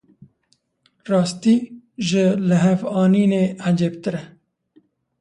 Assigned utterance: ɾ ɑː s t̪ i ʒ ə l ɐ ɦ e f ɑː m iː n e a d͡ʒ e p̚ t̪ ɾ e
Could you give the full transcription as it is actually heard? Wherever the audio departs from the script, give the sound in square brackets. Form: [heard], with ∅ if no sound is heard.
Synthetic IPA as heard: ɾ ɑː s t̪ i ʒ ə l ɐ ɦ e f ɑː [n] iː n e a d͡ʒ e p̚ t̪ ɾ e